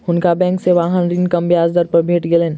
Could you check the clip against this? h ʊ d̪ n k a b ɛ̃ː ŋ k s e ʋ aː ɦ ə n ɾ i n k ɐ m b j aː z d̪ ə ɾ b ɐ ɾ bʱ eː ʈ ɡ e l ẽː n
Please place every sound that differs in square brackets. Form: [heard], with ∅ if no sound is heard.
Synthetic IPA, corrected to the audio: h ʊ [∅] n k a b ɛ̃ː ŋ k s e ʋ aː ɦ ə n ɾ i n k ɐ m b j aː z d̪ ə ɾ [p] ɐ ɾ bʱ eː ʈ ɡ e l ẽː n